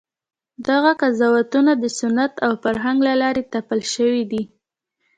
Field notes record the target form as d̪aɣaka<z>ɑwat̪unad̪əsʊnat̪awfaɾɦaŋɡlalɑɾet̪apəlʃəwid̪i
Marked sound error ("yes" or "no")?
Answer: no